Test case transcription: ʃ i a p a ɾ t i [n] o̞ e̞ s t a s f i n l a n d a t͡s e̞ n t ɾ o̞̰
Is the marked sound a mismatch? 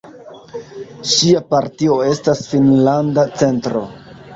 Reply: yes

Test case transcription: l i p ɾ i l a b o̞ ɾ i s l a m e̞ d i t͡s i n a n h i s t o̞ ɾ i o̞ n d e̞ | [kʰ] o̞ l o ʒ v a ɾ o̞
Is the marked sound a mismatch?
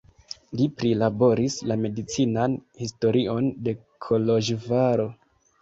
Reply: no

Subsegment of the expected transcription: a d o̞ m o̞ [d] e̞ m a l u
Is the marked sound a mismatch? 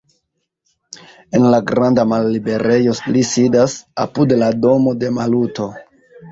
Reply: no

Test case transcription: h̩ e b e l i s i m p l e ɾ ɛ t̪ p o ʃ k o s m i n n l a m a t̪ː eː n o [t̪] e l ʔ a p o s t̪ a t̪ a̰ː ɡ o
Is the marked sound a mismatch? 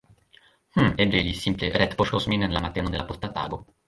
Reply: yes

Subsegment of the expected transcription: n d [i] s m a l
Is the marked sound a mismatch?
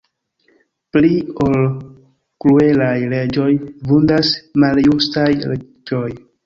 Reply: yes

